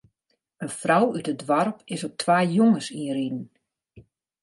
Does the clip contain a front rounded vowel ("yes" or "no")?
yes